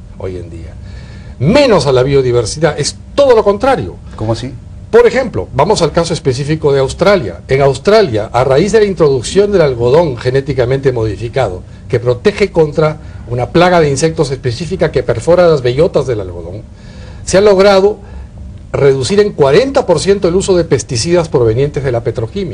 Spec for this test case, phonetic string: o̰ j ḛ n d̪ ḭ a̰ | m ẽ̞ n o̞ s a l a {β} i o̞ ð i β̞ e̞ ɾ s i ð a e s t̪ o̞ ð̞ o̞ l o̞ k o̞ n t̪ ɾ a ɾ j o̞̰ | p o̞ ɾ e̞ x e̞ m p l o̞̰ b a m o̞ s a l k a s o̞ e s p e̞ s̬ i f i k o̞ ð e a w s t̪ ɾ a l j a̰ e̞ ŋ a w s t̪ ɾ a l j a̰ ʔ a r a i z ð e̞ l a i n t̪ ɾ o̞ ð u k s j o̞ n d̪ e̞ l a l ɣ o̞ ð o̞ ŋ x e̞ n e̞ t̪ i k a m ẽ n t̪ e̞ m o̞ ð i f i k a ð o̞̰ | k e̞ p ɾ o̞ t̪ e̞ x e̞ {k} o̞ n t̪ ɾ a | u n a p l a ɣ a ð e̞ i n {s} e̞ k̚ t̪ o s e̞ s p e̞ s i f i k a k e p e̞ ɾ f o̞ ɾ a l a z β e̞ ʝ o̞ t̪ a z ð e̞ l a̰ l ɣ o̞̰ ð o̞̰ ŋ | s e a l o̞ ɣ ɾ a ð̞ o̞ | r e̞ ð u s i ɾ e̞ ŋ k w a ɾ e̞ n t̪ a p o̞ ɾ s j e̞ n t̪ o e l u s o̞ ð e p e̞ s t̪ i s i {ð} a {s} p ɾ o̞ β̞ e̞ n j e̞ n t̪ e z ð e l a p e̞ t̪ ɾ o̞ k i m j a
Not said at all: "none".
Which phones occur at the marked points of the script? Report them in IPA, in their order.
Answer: β, k, s, ð, s

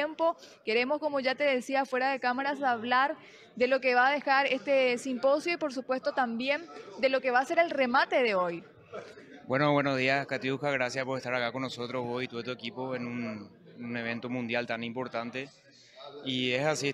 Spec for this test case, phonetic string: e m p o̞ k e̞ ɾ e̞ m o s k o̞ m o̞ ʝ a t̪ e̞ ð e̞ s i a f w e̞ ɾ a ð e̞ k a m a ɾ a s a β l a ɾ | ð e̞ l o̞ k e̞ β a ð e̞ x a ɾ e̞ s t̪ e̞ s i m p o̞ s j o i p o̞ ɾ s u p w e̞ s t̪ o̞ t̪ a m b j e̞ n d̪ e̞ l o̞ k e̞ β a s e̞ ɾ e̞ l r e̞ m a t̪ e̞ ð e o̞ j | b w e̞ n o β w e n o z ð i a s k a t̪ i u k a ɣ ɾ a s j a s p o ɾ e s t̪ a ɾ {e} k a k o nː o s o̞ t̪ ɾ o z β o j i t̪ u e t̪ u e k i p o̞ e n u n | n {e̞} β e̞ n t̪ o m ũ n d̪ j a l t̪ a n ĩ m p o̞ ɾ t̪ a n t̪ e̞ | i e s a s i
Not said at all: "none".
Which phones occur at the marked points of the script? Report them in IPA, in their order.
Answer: a, e̞

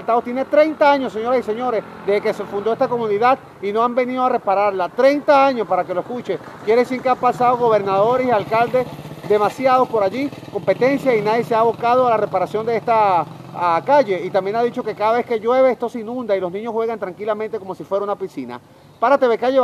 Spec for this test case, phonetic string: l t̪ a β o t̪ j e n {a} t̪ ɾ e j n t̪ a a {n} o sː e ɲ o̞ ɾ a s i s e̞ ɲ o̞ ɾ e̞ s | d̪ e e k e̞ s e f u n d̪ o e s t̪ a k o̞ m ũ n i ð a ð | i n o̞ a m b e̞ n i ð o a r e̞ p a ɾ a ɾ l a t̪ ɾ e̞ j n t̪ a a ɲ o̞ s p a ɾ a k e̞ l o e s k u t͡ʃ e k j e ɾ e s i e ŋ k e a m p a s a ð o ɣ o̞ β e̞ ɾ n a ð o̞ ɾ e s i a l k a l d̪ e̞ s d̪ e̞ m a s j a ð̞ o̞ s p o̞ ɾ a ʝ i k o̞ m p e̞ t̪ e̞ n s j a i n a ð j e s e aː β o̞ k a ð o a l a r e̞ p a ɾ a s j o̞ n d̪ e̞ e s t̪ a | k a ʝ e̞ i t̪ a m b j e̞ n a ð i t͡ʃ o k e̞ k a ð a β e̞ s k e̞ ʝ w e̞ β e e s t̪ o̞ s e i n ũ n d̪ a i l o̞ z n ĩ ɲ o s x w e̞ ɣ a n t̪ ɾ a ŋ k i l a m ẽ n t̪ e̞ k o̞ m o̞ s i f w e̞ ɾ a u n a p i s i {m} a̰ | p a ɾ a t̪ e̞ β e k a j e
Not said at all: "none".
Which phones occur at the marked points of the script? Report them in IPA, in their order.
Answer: e, ɲ, n

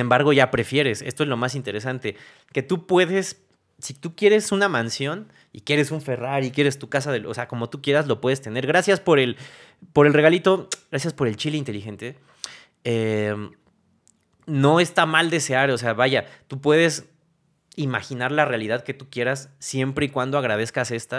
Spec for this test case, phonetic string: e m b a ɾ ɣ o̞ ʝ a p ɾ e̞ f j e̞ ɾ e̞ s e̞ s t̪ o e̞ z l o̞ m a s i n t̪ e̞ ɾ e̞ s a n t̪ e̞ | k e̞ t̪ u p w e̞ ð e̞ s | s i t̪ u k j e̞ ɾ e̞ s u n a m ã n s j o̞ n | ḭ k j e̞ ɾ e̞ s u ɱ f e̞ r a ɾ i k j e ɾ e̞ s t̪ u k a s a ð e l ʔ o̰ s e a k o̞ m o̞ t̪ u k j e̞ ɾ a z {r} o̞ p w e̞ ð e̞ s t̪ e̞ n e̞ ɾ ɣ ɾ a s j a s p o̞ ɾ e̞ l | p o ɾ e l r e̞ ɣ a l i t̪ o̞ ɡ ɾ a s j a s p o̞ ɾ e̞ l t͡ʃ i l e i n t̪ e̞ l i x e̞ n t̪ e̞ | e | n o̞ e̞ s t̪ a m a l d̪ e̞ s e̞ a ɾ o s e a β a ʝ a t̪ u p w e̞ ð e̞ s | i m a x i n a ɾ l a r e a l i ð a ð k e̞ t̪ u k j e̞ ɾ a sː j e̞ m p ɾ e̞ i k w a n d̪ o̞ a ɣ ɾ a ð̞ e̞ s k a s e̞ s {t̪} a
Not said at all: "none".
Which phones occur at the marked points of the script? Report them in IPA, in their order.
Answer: l, t̪

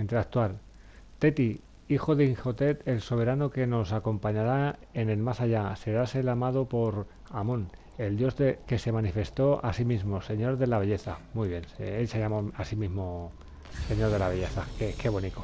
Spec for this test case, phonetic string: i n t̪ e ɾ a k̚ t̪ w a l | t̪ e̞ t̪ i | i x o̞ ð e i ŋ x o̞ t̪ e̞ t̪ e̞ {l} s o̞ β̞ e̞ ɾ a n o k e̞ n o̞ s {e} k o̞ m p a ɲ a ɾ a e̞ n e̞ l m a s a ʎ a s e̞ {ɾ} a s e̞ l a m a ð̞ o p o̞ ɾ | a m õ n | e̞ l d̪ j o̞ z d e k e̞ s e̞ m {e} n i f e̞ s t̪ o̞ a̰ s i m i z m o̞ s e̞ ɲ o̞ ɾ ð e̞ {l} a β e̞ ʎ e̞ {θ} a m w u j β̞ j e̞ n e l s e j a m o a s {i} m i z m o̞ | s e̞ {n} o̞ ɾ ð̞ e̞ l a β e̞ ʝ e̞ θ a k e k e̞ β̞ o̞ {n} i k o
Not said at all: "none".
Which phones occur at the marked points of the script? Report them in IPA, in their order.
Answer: l, a, ɾ, a, l, θ, i, ɲ, n

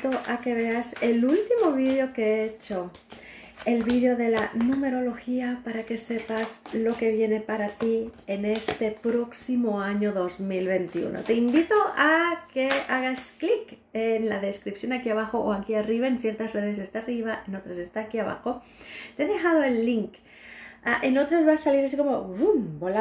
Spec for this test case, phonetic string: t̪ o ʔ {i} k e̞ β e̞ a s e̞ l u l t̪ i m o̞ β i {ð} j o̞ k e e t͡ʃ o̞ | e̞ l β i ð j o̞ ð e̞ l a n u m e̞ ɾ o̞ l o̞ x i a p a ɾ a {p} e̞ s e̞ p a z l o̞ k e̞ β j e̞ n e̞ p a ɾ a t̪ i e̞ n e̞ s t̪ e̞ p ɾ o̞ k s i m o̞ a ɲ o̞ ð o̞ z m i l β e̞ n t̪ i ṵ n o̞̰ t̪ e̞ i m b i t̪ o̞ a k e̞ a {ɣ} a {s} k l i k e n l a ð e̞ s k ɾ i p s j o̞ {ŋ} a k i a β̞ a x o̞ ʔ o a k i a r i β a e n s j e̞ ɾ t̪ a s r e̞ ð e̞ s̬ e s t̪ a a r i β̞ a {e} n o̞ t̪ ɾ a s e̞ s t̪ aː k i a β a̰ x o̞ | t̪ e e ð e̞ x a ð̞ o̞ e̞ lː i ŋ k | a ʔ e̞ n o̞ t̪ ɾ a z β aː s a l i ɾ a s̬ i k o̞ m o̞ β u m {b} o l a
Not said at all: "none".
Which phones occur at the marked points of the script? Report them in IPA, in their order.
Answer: a, ð, k, ɣ, s, n, e, b

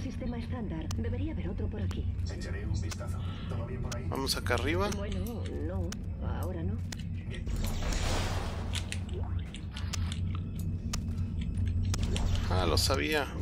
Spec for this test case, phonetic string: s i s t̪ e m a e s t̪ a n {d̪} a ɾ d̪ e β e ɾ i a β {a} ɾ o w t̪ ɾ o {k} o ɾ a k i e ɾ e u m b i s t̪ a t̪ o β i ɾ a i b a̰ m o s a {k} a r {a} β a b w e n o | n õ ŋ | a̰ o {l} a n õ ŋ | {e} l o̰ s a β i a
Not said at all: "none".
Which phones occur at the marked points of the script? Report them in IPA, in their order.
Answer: d̪, e, p, k, i, ɾ, a

